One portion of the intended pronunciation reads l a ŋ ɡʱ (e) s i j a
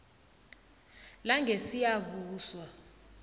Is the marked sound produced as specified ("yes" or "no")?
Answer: yes